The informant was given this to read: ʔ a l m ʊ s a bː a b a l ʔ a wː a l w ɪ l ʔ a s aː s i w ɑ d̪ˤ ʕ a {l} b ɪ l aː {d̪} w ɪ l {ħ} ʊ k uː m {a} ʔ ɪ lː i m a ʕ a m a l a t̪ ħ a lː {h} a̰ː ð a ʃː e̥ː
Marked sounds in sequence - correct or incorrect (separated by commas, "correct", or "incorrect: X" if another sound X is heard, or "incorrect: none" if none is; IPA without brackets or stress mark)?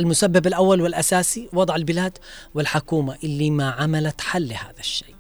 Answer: correct, correct, correct, correct, correct